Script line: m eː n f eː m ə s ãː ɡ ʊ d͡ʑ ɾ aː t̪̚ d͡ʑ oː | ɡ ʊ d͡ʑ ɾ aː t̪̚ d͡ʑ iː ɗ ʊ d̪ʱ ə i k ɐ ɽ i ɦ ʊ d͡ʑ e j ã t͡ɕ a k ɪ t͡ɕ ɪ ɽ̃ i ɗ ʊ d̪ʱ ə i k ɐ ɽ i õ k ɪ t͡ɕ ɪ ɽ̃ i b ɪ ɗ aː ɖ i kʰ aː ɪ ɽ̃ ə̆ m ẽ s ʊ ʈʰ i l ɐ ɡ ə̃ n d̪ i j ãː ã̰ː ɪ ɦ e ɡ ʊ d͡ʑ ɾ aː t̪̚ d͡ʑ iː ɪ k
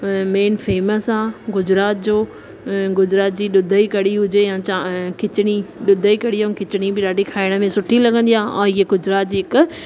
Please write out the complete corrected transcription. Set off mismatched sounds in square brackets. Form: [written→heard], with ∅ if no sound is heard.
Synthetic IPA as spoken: m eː n f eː m ə s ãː ɡ ʊ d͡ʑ ɾ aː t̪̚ d͡ʑ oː | ɡ ʊ d͡ʑ ɾ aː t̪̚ d͡ʑ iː ɗ ʊ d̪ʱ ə i k ɐ ɽ i ɦ ʊ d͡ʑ e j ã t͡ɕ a k ɪ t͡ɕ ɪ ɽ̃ i ɗ ʊ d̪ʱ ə i k ɐ ɽ i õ k ɪ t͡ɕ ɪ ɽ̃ i b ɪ ɗ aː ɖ i kʰ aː ɪ ɽ̃ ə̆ m ẽ s ʊ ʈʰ i l ɐ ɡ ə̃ n d̪ i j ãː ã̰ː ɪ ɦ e ɡ ʊ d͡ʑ ɾ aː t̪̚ d͡ʑ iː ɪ k